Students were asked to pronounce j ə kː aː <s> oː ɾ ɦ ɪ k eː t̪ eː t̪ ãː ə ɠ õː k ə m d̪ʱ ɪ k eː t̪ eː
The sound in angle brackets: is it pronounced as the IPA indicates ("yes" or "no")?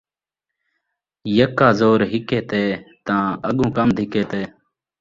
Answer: no